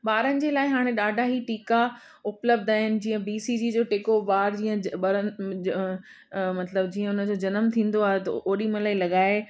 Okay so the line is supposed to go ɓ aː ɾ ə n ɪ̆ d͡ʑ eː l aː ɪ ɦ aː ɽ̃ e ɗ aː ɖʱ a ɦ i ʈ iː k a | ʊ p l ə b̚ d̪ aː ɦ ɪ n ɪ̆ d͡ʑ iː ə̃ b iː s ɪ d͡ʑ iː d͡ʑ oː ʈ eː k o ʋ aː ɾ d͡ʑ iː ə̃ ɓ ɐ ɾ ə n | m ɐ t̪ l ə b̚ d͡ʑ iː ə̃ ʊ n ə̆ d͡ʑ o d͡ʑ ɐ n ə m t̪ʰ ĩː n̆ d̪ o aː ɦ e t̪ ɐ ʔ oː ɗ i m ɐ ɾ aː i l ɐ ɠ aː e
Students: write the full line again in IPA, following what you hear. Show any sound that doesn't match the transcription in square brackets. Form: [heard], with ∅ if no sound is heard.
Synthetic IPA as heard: ɓ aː ɾ ə n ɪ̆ d͡ʑ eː l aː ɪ ɦ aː ɽ̃ e ɗ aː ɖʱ a ɦ i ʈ iː k a | ʊ p l ə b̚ d̪ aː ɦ ɪ n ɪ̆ d͡ʑ iː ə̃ b iː s [i] d͡ʑ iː d͡ʑ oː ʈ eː k o ʋ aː ɾ d͡ʑ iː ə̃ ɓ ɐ ɾ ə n | m ɐ t̪ l ə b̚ d͡ʑ iː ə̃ ʊ n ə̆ d͡ʑ o d͡ʑ ɐ n ə m t̪ʰ ĩː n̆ d̪ o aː ɦ e t̪ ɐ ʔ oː ɗ i m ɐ [l] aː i l ɐ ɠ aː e